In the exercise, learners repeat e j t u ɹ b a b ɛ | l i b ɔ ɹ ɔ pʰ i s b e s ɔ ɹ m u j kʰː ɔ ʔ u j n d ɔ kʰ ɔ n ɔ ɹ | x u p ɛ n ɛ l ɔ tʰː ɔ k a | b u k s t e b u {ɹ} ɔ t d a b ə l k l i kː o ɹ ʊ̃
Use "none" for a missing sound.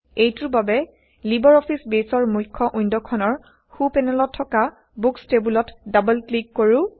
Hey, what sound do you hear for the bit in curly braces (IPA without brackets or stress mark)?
l